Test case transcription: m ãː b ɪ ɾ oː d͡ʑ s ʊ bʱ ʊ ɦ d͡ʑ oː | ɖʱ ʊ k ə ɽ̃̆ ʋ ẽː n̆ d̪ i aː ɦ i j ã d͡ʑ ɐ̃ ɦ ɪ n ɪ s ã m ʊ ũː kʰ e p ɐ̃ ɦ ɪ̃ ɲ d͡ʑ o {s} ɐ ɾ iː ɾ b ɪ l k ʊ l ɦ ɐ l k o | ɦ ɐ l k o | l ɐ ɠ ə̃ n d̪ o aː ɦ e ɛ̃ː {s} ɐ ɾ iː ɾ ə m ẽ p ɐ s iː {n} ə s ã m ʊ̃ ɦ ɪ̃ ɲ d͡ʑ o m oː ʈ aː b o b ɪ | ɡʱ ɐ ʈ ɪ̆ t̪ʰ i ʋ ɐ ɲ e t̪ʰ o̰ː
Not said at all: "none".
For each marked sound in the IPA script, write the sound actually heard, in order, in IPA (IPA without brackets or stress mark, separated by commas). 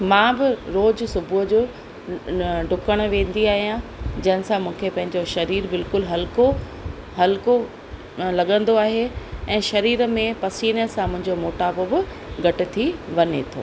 ʃ, ʃ, n